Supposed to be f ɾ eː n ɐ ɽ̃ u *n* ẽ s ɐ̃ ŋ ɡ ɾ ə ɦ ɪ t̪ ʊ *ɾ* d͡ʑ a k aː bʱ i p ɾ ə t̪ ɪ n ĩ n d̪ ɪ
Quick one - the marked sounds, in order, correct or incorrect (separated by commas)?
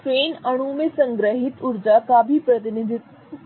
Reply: incorrect, correct